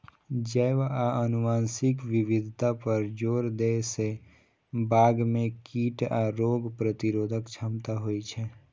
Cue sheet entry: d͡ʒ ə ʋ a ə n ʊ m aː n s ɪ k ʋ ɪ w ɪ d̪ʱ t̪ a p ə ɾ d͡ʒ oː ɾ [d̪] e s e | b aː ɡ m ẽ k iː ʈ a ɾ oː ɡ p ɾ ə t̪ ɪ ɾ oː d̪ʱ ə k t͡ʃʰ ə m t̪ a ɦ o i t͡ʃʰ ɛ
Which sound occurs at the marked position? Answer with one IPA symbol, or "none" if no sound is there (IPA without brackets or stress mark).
d̪